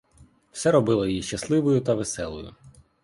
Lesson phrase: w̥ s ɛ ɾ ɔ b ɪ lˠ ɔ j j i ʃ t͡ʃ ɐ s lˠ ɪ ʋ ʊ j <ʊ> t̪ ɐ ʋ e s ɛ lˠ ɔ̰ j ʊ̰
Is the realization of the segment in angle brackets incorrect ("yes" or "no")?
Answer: no